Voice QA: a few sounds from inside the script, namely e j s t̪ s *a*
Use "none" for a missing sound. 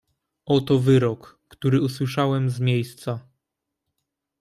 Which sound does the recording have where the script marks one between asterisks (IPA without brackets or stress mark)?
a